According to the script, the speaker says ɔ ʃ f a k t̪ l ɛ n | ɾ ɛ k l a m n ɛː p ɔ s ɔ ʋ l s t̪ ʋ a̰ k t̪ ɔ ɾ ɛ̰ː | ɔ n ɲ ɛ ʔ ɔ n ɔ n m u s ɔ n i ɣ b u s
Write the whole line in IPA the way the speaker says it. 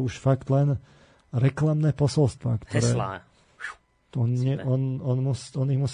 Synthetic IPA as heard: u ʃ f a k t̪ l ɛ n | ɾ ɛ k l a m n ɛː p ɔ s ɔ l s t̪ ʋ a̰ k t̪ ɔ ɾ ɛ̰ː | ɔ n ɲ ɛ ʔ ɔ n ɔ n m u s ɔ n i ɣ m u s